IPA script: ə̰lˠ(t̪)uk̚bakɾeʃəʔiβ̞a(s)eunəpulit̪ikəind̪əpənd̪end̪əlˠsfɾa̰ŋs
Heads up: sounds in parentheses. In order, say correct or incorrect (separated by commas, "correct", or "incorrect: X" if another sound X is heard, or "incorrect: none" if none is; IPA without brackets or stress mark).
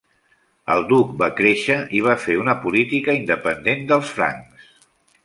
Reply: incorrect: d̪, incorrect: f